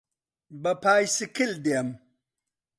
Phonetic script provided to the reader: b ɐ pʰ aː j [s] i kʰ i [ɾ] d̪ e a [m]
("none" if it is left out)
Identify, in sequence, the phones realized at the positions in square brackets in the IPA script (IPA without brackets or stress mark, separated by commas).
s, l, m